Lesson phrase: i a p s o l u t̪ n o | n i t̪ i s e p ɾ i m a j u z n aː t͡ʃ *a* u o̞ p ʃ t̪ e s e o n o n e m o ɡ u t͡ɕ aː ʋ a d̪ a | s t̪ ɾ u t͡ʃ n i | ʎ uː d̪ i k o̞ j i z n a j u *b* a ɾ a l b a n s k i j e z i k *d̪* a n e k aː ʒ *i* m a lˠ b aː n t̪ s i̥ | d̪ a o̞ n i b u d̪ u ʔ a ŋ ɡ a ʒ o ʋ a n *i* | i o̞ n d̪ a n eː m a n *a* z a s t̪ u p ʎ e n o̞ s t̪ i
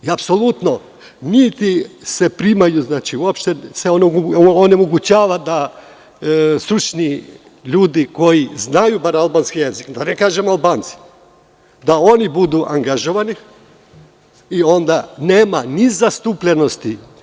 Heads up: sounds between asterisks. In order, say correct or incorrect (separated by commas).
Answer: incorrect, correct, correct, incorrect, correct, incorrect